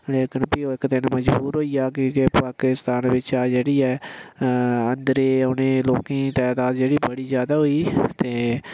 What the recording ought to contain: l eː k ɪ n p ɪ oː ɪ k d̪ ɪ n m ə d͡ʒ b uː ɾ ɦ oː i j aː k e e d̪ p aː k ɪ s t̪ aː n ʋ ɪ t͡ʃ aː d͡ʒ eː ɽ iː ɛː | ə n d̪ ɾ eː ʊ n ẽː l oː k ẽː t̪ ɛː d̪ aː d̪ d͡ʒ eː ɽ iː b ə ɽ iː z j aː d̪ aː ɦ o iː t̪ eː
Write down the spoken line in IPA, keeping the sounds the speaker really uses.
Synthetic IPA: l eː k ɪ n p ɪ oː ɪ k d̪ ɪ n m ə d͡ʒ b uː ɾ ɦ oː i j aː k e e p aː k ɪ s t̪ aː n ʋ ɪ t͡ʃ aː d͡ʒ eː ɽ iː ɛː | ə n d̪ ɾ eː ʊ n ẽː l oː k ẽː t̪ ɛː d̪ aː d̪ d͡ʒ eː ɽ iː b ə ɽ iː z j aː d̪ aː ɦ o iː t̪ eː